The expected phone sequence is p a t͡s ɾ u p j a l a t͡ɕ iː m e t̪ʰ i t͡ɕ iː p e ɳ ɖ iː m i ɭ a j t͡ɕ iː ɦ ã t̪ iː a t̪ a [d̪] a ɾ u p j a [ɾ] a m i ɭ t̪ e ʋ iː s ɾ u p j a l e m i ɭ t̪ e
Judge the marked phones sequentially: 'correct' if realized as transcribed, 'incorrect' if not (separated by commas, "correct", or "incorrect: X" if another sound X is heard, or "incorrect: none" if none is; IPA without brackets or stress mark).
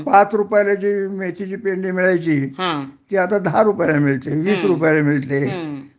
correct, incorrect: l